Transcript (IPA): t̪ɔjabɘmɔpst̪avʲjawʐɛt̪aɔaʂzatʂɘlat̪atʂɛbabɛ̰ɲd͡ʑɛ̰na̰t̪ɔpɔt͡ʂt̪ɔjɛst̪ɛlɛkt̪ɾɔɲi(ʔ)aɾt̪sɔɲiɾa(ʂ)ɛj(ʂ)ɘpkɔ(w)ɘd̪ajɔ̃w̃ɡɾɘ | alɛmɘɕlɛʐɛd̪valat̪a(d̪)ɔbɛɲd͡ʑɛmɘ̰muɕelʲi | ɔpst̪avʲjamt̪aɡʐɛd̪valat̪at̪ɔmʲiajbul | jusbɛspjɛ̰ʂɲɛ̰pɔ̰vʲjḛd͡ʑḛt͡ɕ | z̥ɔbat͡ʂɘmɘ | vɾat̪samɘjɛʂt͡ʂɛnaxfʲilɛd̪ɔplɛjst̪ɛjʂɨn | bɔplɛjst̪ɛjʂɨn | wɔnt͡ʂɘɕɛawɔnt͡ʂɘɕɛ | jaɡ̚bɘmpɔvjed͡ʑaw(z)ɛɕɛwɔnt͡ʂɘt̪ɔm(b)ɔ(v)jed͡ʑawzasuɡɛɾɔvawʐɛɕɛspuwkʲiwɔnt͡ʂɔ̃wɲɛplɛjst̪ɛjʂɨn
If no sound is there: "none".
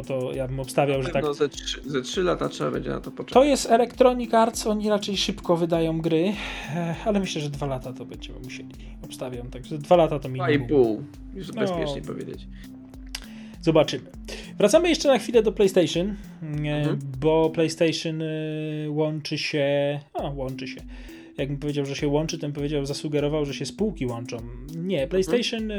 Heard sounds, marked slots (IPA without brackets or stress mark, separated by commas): k, t͡ʂ, ʂ, v, t̪, ʐ, p, v